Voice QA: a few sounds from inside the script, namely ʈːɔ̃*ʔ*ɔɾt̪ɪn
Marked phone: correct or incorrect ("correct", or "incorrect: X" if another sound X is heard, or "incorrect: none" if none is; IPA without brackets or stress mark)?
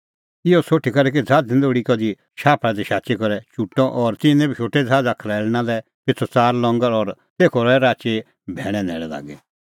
correct